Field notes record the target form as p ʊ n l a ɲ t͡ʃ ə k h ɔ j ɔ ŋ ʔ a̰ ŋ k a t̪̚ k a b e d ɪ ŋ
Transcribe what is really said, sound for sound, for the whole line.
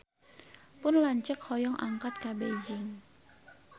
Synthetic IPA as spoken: p ʊ n l a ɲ t͡ʃ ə k h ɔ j ɔ ŋ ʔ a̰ ŋ k a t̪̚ k a b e d͡ʒ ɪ ŋ